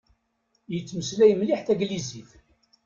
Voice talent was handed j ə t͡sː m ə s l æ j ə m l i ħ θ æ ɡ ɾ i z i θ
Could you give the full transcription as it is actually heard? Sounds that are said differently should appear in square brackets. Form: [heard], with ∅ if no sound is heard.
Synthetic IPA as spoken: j ə t͡sː m ə s l æ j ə m l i ħ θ æ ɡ [l] i z i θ